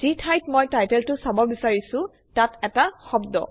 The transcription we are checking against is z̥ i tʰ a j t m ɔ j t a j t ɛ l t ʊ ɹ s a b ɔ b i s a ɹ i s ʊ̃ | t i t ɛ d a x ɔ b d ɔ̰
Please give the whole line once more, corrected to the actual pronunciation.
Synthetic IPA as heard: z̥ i tʰ a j t m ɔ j t a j t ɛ l t ʊ s a b ɔ b i s a ɹ i s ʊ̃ | t a t ɛ t a x ɔ b d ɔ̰